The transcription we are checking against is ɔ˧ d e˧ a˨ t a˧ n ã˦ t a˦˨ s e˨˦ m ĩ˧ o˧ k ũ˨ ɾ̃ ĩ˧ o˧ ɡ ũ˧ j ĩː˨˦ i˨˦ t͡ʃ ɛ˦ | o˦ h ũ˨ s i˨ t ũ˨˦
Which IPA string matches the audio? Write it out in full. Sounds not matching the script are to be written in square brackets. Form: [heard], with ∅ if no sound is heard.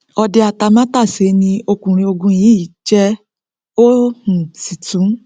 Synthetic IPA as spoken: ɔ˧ d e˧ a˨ t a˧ [m] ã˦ t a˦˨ s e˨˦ [n] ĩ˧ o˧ k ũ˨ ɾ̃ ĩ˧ o˧ ɡ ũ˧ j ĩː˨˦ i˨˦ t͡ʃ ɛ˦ | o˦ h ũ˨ s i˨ t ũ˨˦